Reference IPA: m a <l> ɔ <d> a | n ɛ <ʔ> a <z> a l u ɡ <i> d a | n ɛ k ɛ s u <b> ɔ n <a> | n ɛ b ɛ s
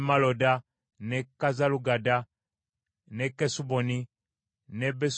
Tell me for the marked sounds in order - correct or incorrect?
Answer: correct, correct, incorrect, correct, incorrect, correct, incorrect

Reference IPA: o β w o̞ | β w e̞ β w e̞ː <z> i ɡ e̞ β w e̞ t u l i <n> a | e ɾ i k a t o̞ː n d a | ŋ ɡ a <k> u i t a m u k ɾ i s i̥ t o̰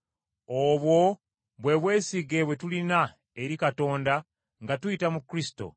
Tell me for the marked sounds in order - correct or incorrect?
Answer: incorrect, correct, incorrect

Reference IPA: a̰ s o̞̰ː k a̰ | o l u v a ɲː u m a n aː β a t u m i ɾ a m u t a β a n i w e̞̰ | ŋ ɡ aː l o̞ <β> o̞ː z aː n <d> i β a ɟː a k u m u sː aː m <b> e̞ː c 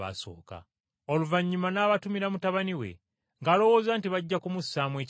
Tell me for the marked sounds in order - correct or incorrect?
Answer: incorrect, incorrect, incorrect

